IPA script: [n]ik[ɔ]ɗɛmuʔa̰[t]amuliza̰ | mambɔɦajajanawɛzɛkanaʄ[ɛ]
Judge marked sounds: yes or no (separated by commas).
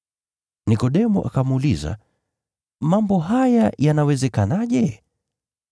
yes, yes, no, yes